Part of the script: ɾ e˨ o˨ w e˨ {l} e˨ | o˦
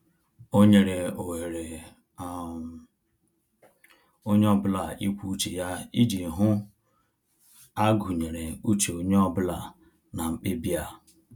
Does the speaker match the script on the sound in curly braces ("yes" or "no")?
no